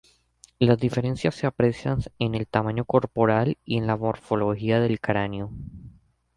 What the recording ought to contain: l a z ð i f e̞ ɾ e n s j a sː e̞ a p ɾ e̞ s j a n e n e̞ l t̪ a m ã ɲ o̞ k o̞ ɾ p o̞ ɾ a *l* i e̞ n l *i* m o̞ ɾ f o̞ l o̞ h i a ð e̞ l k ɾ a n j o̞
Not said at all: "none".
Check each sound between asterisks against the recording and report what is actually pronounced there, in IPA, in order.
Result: l, a

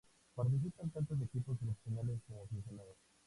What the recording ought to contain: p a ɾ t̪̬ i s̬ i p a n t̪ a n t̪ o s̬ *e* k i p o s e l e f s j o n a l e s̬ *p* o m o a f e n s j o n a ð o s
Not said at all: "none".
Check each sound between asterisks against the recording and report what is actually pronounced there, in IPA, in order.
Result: e, k

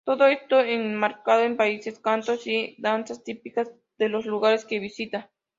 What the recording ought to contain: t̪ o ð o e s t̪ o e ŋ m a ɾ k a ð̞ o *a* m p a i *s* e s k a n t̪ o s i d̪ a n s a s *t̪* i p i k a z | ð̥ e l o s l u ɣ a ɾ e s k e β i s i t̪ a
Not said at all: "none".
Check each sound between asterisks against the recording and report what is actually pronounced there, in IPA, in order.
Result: e, s, t̪

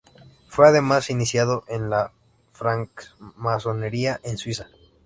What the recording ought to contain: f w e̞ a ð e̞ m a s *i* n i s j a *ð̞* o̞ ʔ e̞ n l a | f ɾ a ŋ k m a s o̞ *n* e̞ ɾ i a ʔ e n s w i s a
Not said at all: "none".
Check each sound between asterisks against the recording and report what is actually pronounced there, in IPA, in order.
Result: i, ð̞, n

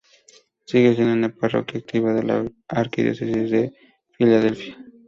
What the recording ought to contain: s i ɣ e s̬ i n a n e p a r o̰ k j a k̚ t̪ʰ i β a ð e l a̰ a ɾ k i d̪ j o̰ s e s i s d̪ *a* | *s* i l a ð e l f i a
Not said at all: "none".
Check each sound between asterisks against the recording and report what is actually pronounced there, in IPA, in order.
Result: e, f

